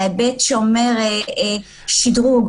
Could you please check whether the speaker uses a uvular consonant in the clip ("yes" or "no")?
yes